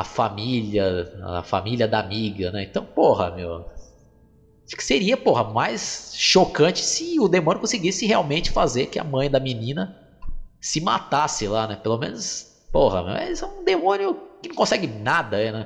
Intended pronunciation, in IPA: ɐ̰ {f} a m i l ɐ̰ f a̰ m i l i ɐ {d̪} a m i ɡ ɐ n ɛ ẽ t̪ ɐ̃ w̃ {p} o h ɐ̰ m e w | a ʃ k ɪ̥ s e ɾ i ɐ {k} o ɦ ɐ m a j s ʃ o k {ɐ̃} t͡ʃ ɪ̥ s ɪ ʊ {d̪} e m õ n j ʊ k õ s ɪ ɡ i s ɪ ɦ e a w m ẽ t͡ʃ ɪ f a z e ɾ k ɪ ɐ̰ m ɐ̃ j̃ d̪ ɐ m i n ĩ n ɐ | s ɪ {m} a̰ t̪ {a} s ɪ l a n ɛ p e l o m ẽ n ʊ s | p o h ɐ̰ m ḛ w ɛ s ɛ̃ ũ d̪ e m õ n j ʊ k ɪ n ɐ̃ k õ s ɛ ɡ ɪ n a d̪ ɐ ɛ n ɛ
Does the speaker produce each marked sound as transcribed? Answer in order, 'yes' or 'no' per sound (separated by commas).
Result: yes, yes, yes, no, yes, yes, yes, yes